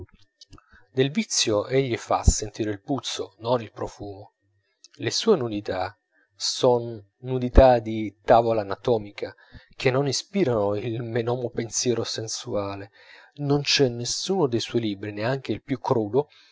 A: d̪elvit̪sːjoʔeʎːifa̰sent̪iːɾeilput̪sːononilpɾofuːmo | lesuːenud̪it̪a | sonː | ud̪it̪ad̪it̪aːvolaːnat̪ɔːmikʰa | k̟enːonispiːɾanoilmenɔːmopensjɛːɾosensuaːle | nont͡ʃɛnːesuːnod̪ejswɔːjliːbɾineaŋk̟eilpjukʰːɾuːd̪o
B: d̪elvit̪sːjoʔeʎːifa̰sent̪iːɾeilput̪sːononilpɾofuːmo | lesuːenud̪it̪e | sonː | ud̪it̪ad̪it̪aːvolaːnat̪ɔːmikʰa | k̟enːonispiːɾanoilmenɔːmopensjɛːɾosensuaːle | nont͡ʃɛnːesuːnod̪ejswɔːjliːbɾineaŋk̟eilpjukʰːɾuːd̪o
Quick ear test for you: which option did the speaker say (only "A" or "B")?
A